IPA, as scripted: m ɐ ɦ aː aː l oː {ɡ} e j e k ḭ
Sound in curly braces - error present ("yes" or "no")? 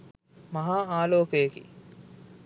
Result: yes